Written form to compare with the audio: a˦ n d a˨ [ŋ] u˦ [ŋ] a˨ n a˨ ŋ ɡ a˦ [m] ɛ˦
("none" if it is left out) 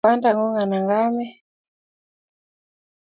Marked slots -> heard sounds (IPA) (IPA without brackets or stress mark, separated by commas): ŋ, ŋ, m